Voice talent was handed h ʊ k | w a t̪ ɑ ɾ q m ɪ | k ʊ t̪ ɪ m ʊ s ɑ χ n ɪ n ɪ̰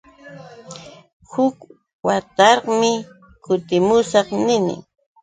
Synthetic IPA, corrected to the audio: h ʊ k | w a t̪ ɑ ɾ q m ɪ | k ʊ t̪ ɪ m ʊ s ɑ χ n ɪ n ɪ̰